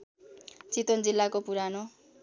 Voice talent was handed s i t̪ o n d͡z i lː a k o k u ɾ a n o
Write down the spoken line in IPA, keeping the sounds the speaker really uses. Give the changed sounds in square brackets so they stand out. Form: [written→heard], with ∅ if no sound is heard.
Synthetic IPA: [s→t͡s] i t̪ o n d͡z i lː a k o [k→p] u ɾ a n o